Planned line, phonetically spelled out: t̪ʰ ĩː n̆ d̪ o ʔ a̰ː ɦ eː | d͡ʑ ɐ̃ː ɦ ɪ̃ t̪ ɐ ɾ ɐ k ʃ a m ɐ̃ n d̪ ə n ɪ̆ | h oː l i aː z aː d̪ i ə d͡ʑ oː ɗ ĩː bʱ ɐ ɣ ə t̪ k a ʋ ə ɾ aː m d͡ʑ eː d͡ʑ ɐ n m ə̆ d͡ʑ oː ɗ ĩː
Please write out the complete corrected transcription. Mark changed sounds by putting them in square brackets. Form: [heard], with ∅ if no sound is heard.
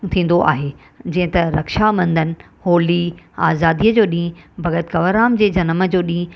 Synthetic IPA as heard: t̪ʰ ĩː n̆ d̪ o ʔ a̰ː ɦ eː | d͡ʑ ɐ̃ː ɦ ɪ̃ t̪ ɐ ɾ ɐ k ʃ a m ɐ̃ n d̪ ə n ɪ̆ | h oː l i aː z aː d̪ i ə d͡ʑ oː ɗ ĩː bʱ ɐ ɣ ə t̪ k [ɐ] ʋ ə ɾ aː m d͡ʑ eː d͡ʑ ɐ n m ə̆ d͡ʑ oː ɗ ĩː